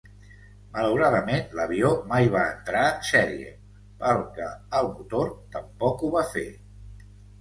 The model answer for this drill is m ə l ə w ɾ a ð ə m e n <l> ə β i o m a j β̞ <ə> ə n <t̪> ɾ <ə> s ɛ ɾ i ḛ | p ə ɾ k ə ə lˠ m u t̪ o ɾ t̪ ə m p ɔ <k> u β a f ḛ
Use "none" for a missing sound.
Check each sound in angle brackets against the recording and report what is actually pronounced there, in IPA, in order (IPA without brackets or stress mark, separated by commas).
l, a, t̪, a, k